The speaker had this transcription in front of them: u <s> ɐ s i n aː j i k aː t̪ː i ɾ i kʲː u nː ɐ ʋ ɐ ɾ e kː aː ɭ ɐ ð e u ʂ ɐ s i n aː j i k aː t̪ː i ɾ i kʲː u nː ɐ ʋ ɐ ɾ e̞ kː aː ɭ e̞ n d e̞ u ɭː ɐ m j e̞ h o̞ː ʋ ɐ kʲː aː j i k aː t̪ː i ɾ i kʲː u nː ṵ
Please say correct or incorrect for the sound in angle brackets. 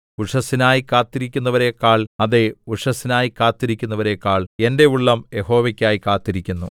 incorrect